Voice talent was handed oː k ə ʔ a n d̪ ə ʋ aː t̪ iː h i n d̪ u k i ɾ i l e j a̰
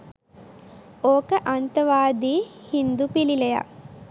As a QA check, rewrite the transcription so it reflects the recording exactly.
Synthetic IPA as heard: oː k ə ʔ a n t̪ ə ʋ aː d̪ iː h i n d̪ u p i l i l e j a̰